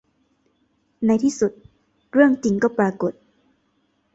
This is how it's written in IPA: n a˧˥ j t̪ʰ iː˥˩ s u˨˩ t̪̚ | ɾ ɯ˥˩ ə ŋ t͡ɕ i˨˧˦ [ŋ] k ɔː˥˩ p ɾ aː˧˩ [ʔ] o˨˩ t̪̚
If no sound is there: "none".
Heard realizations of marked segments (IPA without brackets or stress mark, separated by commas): ŋ, k